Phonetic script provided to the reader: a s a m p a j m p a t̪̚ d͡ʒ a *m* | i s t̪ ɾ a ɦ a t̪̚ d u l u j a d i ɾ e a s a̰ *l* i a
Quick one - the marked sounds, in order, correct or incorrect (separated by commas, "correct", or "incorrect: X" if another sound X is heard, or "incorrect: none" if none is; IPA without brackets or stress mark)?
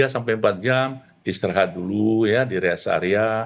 correct, incorrect: ɾ